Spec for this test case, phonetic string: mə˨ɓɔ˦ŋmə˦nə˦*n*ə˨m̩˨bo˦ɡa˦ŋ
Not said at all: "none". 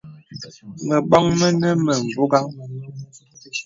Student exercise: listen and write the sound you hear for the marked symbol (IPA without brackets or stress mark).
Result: m